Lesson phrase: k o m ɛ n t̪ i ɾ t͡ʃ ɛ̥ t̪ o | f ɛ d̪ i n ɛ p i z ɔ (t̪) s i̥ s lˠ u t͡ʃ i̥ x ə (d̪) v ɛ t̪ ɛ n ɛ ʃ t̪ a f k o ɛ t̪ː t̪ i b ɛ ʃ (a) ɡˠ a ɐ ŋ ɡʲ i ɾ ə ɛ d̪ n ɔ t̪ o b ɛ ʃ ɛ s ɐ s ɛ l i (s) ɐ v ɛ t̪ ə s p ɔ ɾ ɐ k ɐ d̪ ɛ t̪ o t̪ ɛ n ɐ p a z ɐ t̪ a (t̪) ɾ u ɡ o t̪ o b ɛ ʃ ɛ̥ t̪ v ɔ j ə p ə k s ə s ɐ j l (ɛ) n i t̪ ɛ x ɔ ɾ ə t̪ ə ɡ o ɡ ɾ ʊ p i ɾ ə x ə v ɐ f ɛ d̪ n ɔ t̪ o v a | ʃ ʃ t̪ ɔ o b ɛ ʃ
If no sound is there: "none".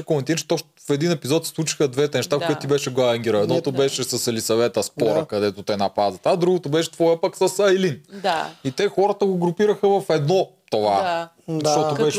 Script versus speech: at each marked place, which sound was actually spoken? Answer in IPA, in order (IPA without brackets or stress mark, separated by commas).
t̪, d̪, ɛ, s, d̪, i